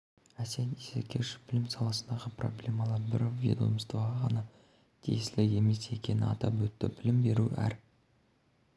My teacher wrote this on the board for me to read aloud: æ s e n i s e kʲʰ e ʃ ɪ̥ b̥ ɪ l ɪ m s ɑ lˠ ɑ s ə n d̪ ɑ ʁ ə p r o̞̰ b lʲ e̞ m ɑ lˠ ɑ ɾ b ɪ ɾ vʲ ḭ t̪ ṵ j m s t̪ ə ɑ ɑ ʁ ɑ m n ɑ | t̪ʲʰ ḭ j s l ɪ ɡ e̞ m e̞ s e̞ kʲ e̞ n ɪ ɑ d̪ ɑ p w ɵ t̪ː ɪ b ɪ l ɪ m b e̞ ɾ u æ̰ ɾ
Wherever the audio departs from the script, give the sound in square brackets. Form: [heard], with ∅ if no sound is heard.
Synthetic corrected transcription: æ s e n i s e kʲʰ e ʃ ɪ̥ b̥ ɪ l ɪ m s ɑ lˠ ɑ s ə n d̪ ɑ ʁ ə p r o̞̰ b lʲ e̞ m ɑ lˠ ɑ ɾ b ɪ ɾ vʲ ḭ [d̪] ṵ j m s t̪ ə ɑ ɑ ʁ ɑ [∅] n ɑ | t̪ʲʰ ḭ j s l ɪ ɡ e̞ m e̞ s e̞ kʲ e̞ n ɪ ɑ [t̪] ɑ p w ɵ t̪ː ɪ b ɪ l ɪ m b e̞ ɾ u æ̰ ɾ